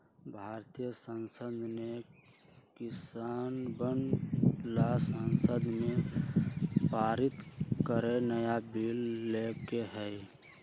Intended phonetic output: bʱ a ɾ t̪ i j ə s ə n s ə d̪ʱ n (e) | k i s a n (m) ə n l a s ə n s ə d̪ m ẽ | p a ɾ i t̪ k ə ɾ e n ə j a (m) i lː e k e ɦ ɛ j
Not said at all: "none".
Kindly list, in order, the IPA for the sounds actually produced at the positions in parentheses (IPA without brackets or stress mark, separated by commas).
e, b, b